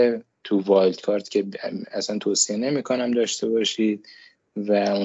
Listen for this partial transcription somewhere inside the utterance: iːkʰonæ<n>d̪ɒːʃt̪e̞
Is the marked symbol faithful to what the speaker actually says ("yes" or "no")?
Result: no